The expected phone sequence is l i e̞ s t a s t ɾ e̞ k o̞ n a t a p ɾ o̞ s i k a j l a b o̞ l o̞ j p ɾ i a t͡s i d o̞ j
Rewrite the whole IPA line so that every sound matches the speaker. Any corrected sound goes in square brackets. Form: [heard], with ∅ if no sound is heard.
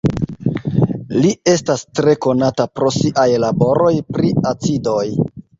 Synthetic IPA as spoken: l i e̞ s t a s t ɾ e̞ k o̞ n a t a p ɾ o̞ s i [ʔ] a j l a b o̞ [ɾ] o̞ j p ɾ i a t͡s i d o̞ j